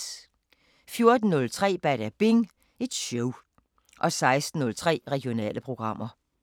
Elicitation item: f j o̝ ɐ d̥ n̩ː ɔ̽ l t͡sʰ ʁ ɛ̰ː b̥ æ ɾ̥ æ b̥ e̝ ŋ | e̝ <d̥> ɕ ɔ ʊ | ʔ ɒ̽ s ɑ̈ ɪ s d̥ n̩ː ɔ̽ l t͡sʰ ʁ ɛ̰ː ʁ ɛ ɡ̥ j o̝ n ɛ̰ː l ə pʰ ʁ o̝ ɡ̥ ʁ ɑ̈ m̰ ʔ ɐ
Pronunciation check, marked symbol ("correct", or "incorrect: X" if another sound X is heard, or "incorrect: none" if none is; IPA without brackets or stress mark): correct